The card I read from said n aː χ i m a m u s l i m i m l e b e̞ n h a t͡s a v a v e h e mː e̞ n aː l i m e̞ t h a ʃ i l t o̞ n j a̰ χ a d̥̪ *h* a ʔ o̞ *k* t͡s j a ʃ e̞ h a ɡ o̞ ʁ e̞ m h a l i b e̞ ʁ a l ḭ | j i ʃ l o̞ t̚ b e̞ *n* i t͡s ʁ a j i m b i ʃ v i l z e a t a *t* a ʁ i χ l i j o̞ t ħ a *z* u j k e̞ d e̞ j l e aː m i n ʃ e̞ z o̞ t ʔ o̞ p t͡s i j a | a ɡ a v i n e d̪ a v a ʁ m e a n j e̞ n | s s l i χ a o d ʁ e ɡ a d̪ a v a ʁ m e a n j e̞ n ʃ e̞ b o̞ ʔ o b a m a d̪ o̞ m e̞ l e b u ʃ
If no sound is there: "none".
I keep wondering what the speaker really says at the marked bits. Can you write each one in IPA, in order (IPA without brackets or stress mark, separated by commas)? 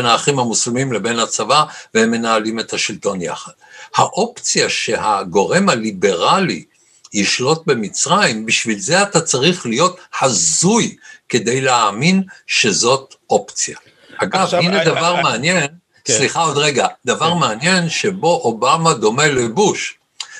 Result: h, p, m, t͡s, z